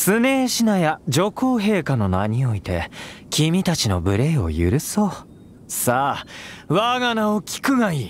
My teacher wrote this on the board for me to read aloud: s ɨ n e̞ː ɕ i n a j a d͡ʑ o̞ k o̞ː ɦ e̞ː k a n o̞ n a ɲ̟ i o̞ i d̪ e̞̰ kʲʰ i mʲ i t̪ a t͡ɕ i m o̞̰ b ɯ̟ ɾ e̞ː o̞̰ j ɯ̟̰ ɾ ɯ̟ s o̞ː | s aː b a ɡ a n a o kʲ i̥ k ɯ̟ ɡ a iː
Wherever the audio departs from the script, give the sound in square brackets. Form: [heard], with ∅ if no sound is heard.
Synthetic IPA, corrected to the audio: s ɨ n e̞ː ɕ i n a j a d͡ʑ o̞ k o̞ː ɦ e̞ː k a n o̞ n a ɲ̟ i o̞ i [t̪] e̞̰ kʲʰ i mʲ i t̪ a t͡ɕ i [n] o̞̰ b ɯ̟ ɾ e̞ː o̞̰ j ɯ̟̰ ɾ ɯ̟ s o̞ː | s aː [β] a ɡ a n a o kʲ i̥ k ɯ̟ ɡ a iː